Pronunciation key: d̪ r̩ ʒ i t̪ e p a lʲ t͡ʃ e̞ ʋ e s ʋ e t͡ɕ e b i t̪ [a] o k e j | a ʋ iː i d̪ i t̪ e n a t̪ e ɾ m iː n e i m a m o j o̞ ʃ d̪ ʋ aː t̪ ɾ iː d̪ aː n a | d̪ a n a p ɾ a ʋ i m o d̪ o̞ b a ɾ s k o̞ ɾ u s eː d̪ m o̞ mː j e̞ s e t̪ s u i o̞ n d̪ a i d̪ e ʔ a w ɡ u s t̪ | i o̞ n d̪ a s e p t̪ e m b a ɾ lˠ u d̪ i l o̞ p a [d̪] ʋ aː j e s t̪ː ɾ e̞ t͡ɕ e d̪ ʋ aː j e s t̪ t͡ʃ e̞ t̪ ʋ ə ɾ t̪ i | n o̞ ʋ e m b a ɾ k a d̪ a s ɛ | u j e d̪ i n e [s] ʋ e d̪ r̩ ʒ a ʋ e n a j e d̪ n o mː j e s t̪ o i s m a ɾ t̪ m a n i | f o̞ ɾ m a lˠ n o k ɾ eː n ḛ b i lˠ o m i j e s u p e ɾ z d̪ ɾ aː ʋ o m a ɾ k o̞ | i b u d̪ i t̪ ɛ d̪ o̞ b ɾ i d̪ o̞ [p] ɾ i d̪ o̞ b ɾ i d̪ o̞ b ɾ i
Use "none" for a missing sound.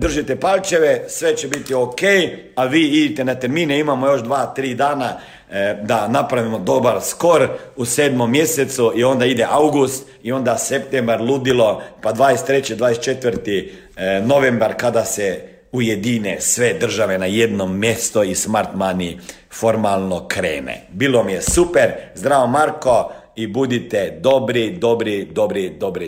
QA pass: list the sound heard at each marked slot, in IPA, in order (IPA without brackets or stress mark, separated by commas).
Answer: i, d̪, s, b